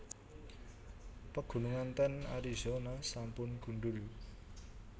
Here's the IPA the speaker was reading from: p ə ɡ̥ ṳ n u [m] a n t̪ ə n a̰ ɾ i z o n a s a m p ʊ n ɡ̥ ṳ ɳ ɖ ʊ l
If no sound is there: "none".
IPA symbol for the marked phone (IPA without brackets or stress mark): ŋ